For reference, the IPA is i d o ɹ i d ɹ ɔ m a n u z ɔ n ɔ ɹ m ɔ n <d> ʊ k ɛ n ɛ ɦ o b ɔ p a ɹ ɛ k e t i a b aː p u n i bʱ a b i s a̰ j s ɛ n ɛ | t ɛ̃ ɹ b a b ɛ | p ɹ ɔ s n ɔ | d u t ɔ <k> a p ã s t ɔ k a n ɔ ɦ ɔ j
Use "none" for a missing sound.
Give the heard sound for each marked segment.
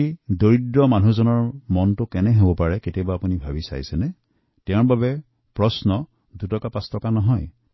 t, k

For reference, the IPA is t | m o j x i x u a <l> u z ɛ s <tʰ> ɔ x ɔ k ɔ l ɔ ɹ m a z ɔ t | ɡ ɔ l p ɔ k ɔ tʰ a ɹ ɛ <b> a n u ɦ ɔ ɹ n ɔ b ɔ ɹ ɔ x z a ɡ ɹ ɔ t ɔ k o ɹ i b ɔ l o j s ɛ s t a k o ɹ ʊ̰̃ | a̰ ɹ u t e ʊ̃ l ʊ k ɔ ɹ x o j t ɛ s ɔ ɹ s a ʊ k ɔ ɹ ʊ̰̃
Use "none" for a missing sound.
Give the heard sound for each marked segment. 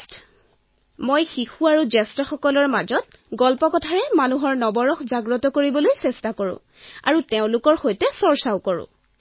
ɹ, t, m

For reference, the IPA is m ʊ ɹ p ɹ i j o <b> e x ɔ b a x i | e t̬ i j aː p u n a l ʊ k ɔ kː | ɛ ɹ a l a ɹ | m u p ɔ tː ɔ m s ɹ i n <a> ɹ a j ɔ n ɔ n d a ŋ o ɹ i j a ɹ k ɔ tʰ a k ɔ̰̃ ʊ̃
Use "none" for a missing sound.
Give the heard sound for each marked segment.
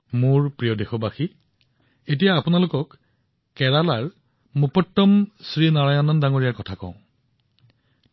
d, a

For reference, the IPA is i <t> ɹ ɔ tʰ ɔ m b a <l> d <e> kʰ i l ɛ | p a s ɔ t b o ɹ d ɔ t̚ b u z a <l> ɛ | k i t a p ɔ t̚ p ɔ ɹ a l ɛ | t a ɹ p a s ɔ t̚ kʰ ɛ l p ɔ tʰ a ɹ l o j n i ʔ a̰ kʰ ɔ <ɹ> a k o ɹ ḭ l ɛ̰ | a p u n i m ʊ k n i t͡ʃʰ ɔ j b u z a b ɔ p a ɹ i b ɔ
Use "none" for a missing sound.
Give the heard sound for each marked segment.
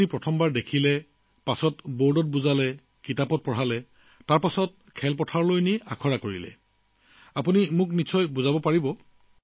p, ɹ, e, l, ɹ

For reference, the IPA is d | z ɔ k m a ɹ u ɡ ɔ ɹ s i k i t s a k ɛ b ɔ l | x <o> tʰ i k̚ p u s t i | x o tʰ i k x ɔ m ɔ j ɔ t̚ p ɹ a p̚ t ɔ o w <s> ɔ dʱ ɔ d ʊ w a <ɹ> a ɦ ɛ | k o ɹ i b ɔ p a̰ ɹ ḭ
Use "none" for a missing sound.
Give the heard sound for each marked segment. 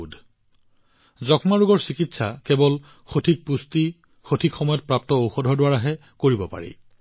o, x, ɹ

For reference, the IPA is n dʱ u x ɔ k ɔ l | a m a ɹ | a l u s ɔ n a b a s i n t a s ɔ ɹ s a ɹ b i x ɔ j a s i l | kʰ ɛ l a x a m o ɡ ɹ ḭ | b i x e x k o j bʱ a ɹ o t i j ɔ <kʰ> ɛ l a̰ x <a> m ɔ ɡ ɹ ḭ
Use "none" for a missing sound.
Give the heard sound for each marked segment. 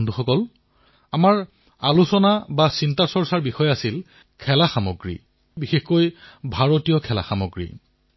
kʰ, a

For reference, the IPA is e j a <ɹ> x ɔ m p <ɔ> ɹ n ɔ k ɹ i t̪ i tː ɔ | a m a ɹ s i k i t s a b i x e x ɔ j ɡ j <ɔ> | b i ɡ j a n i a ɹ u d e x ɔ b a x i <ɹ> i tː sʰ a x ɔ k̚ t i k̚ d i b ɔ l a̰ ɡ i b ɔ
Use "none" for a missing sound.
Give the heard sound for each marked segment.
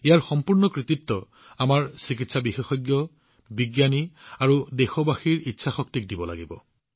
ɹ, u, ɔ, ɹ

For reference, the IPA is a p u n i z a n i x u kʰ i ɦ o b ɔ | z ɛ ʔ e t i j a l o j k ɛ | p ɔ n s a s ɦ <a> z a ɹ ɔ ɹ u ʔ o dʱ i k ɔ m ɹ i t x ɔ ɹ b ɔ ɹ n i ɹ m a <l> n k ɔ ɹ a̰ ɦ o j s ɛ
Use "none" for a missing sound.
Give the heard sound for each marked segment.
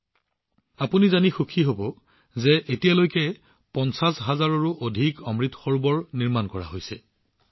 a, none

